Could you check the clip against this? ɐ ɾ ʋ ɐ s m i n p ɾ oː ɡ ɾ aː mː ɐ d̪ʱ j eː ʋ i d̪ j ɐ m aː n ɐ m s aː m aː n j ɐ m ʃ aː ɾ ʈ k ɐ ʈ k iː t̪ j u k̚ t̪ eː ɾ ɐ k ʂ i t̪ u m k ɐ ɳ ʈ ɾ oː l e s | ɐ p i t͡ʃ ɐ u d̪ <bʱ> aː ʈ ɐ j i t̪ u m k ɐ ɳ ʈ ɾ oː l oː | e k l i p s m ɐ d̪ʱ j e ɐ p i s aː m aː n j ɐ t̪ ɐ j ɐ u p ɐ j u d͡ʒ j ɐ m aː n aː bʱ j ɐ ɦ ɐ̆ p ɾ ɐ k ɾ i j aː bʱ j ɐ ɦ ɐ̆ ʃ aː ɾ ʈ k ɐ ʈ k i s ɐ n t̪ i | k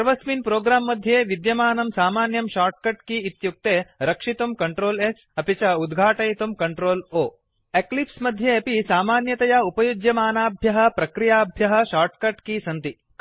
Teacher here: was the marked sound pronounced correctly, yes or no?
no